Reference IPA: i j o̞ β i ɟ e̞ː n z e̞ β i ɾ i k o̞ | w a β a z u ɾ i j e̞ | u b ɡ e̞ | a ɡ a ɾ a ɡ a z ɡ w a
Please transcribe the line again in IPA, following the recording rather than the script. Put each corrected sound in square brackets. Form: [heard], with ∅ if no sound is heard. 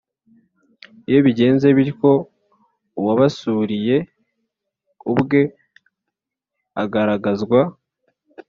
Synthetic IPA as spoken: i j o̞ β i ɟ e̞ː n z e̞ β i ɾ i k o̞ | w a β a [s] u ɾ i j e̞ | u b ɡ e̞ | a ɡ a ɾ a ɡ a z ɡ w a